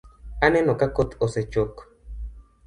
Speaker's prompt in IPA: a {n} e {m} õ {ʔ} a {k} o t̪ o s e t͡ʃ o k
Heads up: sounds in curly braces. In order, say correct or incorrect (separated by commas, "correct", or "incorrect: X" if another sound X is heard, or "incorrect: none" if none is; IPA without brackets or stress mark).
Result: correct, incorrect: n, incorrect: k, correct